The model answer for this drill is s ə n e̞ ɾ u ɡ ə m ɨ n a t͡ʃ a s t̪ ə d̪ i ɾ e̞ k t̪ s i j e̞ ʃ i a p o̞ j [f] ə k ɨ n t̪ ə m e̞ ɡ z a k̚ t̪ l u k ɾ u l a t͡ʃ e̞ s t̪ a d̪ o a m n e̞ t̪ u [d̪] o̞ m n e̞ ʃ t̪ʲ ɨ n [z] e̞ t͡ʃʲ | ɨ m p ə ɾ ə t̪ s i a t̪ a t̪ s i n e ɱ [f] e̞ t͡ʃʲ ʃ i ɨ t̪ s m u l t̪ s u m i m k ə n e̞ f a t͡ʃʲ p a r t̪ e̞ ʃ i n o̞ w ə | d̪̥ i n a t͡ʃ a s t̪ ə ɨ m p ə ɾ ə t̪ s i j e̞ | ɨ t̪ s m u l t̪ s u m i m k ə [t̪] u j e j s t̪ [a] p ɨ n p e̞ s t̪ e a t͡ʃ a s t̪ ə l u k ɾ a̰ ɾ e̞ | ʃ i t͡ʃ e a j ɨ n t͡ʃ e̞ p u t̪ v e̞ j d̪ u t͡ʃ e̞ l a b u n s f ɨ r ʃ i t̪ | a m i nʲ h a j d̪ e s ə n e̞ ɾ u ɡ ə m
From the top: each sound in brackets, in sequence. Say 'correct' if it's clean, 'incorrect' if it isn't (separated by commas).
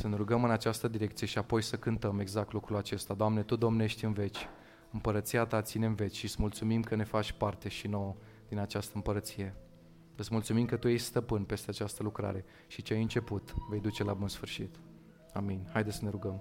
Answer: incorrect, correct, incorrect, incorrect, correct, incorrect